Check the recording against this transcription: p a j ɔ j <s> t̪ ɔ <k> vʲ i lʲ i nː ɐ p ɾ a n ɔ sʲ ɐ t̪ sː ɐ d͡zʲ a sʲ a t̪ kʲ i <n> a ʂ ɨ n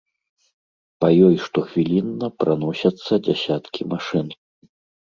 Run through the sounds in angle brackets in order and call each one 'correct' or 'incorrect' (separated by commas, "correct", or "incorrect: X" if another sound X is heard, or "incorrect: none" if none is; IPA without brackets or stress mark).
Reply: incorrect: ʂ, incorrect: x, incorrect: m